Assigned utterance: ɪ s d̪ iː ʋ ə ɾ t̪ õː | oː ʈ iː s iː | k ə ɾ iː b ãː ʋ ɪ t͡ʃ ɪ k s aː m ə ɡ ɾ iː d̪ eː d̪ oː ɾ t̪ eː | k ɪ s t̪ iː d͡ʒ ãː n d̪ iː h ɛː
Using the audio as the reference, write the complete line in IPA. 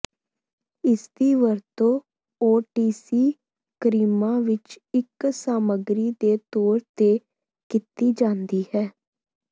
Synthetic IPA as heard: ɪ s d̪ iː ʋ ə ɾ t̪ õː | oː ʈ iː s iː | k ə ɾ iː m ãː ʋ ɪ t͡ʃ ɪ k s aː m ə ɡ ɾ iː d̪ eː t̪ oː ɾ t̪ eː | k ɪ t̪ iː d͡ʒ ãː n d̪ iː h ɛː